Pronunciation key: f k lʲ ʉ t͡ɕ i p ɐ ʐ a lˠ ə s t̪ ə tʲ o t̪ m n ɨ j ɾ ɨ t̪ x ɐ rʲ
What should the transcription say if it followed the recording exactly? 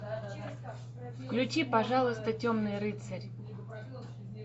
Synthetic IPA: f k lʲ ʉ t͡ɕ i p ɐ ʐ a lˠ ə s t̪ ə tʲ o m n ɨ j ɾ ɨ t̪ s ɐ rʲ

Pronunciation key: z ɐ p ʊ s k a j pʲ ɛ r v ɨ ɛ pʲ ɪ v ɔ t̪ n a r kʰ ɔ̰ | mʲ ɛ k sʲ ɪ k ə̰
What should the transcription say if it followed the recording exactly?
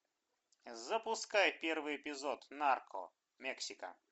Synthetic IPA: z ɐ p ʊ s k a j pʲ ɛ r v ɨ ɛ pʲ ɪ z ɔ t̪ n a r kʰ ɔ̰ | mʲ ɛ k sʲ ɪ k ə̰

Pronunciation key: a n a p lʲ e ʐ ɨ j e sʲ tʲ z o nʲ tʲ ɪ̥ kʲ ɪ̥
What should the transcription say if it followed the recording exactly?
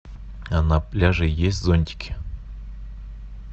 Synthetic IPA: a n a p lʲ a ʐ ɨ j e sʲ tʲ z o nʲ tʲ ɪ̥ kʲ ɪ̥

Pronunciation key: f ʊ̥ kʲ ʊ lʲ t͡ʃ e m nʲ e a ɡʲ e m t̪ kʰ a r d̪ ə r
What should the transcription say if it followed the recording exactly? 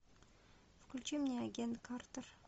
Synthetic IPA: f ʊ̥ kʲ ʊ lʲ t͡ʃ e m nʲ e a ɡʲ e n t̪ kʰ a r t̪ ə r

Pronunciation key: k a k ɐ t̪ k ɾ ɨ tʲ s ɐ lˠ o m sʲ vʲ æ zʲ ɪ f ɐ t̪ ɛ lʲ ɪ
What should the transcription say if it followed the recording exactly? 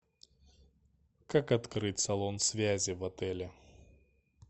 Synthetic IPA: k a k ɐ t̪ k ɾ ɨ tʲ s ɐ lˠ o n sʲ vʲ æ zʲ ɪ v ɐ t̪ ɛ lʲ ɪ

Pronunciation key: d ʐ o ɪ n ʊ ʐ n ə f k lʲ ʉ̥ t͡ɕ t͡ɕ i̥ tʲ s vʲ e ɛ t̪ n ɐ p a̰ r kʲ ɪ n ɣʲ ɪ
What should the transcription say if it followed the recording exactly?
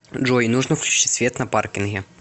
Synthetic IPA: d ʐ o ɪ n u ʐ n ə f k lʲ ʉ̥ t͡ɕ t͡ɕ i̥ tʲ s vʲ e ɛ t̪ n ɐ p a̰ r kʲ ɪ n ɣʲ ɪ

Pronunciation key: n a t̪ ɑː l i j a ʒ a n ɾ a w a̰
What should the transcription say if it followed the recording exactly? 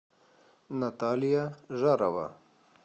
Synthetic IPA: n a t̪ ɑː l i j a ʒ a ɾ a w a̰

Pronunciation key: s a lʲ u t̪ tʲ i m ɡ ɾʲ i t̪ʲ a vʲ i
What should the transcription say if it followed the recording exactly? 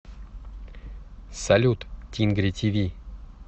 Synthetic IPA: s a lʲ u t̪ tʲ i n ɡ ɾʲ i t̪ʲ i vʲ i

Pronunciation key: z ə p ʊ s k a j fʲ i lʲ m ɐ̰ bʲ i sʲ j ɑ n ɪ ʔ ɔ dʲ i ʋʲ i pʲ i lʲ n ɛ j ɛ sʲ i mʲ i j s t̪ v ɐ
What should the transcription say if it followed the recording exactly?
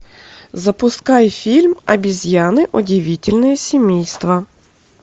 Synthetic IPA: z ɐ p ʊ s k ɑ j fʲ i lʲ m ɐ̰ bʲ i zʲ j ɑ n ɪ ʔ ɔ dʲ i ʋʲ i tʲ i lʲ n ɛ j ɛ sʲ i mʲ i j s t̪ ʋ ɐ

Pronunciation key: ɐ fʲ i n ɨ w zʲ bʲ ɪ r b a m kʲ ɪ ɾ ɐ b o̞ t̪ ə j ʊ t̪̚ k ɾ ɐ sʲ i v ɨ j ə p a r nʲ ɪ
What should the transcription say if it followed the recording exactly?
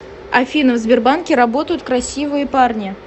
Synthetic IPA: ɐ fʲ i n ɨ v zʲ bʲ ɪ r b a n kʲ ɪ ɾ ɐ b o̞ t̪ ə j ʊ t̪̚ k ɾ ɐ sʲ i v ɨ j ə p a r nʲ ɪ

